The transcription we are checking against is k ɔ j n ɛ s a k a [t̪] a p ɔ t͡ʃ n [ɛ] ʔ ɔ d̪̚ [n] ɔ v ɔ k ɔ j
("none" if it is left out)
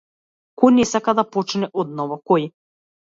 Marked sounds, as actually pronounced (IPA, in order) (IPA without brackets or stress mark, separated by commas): d̪, ɛ, n